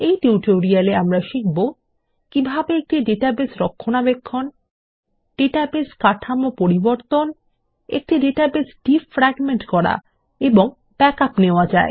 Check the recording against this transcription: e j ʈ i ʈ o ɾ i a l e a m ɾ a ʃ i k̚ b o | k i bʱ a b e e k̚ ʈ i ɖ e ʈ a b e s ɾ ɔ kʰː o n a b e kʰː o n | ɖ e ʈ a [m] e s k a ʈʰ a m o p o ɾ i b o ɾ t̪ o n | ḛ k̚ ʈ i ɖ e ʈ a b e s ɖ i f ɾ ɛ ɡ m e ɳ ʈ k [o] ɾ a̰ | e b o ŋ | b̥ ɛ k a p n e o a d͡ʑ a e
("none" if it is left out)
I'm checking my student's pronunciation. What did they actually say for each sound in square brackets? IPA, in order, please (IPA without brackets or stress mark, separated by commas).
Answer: b, ɔ